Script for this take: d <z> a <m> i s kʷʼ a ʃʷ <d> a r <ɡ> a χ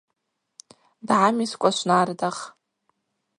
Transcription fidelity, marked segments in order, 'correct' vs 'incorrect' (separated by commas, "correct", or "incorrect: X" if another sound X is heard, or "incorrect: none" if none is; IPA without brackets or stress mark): incorrect: ʕ, correct, incorrect: n, incorrect: d